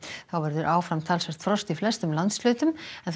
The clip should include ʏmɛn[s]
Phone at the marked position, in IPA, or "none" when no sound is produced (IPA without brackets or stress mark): θ